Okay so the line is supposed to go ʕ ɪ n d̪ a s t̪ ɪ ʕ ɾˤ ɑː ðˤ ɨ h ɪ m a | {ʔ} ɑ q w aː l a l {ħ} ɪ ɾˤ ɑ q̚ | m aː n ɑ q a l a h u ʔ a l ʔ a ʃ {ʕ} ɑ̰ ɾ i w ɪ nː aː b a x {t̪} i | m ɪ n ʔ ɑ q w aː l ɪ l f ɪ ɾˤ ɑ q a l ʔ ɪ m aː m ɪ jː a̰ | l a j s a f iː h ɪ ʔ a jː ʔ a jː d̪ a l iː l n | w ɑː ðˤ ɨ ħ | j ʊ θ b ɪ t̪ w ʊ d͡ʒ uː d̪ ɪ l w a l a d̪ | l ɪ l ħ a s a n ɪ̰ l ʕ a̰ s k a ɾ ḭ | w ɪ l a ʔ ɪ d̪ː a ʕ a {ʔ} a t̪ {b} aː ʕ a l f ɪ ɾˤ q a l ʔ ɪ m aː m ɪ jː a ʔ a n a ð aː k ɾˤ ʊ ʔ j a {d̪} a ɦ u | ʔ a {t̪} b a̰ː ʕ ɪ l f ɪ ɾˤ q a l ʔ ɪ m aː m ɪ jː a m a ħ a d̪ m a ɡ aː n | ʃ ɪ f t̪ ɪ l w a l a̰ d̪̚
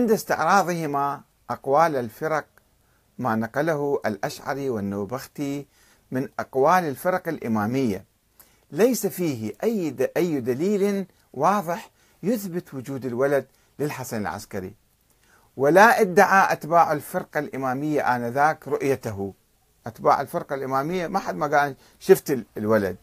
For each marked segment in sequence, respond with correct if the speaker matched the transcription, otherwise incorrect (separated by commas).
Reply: correct, incorrect, correct, correct, correct, correct, incorrect, correct